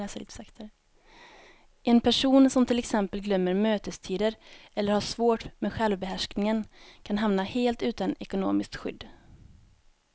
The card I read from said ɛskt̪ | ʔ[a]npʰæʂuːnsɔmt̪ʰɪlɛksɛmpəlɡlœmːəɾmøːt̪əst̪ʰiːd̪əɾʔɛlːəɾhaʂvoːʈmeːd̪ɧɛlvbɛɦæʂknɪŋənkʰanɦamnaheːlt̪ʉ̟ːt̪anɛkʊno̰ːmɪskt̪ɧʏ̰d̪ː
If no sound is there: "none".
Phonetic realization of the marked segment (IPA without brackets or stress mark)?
ɛ